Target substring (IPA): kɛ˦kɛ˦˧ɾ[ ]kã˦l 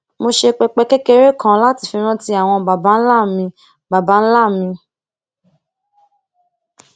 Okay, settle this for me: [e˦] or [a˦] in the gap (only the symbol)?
e˦